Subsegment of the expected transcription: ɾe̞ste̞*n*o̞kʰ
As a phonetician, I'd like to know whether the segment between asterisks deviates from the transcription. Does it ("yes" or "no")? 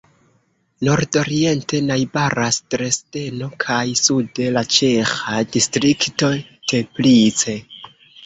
no